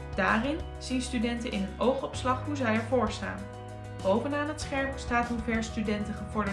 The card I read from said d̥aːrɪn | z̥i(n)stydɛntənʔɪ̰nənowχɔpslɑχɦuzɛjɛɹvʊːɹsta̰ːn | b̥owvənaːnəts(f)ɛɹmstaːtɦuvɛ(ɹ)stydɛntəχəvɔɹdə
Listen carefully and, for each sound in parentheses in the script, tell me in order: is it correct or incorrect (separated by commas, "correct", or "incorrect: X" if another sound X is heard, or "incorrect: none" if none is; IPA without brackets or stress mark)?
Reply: correct, incorrect: χ, correct